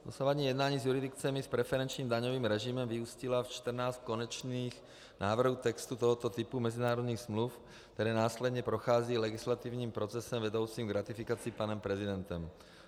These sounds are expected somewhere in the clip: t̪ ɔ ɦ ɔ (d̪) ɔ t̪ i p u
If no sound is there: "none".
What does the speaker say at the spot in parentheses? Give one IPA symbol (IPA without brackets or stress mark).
t̪